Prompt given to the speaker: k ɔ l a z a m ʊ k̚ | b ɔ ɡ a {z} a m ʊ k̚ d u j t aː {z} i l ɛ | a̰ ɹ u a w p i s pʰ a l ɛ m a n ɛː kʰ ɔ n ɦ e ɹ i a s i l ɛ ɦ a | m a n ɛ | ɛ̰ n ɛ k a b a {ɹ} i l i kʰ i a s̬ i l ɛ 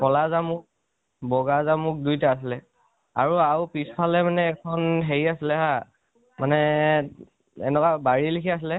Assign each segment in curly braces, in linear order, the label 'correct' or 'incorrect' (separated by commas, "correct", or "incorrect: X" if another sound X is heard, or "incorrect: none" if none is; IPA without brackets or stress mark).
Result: correct, incorrect: s, correct